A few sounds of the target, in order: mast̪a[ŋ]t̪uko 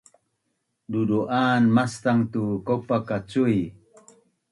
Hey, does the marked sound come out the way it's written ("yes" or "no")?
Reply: yes